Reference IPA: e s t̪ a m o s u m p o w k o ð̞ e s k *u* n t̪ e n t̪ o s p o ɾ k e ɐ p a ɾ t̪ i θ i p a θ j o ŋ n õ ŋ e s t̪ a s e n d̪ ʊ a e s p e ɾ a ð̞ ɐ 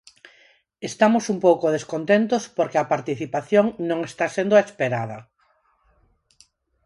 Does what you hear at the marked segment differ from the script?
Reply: yes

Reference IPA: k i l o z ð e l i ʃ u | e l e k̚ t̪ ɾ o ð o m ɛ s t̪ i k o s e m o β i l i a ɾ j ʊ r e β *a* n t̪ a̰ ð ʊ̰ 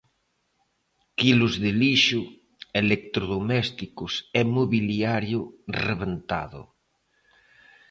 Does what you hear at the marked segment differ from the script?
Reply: yes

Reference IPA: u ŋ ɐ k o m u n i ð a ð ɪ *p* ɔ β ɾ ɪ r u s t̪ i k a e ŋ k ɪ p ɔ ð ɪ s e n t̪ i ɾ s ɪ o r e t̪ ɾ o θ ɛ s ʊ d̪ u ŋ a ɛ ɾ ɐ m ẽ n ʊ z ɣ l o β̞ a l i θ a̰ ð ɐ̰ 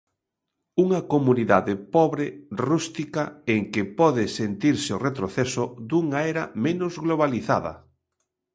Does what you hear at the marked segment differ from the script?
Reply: no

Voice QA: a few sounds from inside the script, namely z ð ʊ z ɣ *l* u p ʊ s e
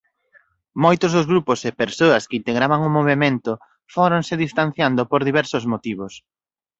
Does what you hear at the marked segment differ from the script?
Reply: yes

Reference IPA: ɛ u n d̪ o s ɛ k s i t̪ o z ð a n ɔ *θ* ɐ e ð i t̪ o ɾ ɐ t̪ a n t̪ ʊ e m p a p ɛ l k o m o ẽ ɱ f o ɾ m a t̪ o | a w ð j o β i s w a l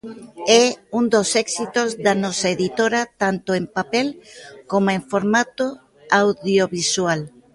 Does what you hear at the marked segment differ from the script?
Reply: yes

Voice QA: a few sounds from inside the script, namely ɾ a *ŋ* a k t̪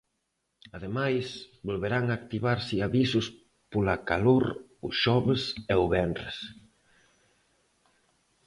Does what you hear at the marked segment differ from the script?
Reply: no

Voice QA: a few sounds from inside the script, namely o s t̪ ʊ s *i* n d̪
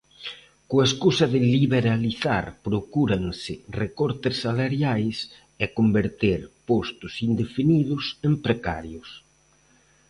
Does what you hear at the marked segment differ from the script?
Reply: no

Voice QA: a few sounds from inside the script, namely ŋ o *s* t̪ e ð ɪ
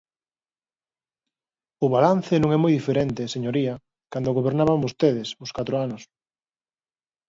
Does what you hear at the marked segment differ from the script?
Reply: no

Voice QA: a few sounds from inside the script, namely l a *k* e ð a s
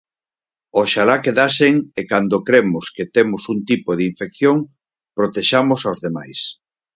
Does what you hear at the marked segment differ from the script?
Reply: no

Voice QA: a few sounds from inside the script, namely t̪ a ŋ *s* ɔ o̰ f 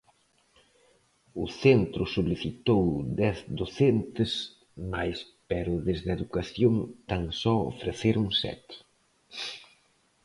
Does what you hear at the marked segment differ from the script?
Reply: no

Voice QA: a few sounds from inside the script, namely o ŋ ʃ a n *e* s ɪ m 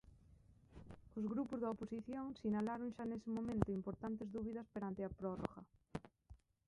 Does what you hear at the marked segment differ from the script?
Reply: no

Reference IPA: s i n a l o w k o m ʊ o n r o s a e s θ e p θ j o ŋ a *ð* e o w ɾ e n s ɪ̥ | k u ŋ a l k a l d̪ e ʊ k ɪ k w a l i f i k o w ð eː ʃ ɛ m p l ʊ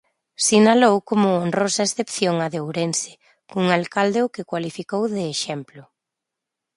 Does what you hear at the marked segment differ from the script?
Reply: no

